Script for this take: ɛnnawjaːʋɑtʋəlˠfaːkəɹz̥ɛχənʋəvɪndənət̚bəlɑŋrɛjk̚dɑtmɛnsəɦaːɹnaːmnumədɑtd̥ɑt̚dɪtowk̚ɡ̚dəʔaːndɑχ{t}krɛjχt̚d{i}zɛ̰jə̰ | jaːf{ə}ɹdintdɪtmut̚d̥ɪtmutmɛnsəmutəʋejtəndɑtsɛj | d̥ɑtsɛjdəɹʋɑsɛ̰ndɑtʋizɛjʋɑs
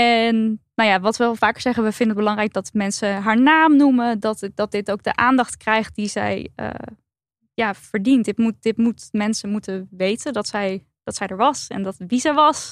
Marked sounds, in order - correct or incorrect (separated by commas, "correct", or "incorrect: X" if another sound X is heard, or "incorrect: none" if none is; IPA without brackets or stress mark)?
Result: correct, correct, correct